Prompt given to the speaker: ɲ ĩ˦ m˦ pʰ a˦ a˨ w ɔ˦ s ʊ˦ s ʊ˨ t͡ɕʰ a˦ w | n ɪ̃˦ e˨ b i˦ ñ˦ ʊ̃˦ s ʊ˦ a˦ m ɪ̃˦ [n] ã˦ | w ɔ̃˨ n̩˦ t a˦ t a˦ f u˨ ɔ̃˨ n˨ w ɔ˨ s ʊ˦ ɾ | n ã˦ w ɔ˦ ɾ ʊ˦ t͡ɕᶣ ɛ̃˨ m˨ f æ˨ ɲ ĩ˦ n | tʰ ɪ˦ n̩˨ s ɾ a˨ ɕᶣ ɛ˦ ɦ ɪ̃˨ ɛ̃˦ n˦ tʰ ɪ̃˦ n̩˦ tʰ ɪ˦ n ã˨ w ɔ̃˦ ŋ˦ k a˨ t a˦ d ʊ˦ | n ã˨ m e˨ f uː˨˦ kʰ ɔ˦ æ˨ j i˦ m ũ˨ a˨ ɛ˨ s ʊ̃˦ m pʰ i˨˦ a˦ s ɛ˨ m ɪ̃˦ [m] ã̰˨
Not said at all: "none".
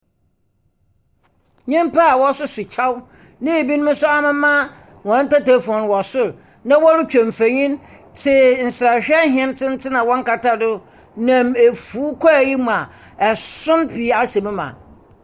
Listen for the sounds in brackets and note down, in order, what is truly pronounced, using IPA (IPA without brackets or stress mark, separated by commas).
m, m